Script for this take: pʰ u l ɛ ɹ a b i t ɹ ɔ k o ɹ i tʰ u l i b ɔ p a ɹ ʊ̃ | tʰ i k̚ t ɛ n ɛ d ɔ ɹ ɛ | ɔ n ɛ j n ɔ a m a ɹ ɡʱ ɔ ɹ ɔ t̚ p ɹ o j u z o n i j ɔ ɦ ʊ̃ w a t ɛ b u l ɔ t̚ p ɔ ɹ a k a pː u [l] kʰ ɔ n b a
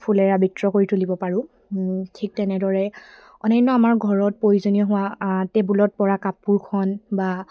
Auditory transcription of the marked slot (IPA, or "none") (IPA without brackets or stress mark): ɹ